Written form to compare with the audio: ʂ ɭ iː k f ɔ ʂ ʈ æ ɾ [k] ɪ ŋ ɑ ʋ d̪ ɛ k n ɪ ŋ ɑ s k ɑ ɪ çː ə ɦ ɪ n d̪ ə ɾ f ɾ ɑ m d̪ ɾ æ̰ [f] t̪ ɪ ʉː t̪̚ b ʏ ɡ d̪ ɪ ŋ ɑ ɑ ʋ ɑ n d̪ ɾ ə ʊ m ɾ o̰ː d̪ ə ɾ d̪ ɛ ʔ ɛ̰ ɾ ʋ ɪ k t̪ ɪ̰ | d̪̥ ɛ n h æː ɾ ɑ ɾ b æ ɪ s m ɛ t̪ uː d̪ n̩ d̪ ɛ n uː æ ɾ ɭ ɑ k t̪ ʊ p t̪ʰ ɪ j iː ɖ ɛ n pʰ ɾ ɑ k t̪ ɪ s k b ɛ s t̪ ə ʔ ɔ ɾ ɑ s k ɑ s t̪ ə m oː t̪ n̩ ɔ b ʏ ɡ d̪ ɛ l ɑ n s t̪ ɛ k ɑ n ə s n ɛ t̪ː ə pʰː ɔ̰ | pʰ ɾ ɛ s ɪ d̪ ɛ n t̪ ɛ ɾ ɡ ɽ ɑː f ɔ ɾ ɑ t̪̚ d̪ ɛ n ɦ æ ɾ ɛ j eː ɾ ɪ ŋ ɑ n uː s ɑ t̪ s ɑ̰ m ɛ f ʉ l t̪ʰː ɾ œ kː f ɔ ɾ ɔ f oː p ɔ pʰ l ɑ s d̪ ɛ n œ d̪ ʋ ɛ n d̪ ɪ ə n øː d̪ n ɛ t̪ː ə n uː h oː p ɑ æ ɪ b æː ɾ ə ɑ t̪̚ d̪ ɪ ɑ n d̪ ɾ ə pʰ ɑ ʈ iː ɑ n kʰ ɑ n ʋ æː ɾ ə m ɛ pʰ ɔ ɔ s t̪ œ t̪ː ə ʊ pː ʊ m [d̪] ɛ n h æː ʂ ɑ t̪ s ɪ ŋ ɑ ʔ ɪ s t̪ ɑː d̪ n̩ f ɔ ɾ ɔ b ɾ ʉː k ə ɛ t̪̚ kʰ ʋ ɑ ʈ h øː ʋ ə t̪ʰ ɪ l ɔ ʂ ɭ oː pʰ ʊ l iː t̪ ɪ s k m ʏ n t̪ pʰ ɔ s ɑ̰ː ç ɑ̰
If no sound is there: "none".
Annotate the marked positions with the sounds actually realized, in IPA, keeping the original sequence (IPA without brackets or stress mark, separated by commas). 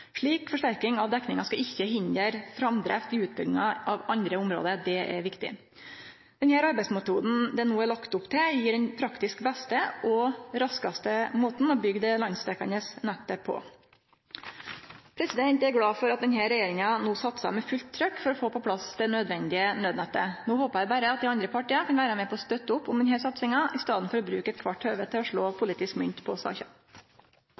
k, f, d̪